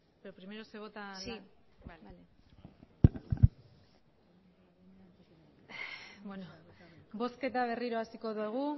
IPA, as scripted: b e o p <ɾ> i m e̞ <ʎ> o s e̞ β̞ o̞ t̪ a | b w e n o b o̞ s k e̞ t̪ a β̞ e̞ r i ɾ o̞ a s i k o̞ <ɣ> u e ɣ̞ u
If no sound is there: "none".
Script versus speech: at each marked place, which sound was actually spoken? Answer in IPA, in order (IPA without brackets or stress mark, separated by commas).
ɾ, ɾ, ð